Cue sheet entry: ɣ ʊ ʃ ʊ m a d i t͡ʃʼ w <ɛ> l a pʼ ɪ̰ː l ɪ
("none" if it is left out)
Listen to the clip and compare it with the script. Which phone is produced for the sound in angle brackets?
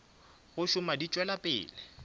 ɛ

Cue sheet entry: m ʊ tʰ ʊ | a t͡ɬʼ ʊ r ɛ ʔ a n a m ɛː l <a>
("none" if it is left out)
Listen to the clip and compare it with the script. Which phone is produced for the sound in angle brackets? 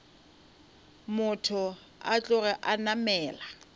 a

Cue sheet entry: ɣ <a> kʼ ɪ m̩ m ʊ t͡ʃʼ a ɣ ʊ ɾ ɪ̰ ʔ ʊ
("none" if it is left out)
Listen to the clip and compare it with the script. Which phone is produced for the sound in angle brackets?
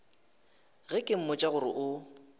ɛ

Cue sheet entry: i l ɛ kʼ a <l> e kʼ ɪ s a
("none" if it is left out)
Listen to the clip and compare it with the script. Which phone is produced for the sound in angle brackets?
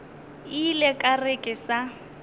r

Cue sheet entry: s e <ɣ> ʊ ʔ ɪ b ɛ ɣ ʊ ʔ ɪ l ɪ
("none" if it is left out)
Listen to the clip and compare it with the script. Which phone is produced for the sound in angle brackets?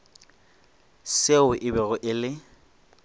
none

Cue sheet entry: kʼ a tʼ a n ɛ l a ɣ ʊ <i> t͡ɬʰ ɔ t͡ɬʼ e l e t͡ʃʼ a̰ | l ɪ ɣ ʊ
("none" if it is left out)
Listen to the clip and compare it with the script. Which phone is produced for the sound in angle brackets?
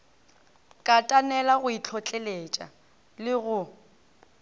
i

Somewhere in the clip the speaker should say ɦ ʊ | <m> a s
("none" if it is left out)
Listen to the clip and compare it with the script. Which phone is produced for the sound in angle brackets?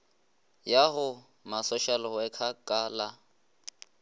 m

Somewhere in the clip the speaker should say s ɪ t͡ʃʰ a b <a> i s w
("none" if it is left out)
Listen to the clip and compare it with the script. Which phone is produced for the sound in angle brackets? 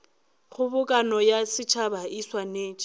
a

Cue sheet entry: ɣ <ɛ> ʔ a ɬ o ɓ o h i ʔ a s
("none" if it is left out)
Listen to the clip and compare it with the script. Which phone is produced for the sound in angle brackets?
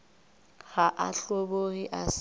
a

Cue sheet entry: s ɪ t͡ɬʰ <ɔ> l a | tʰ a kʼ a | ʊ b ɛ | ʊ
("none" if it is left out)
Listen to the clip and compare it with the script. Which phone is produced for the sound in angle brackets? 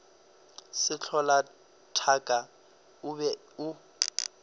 ɔ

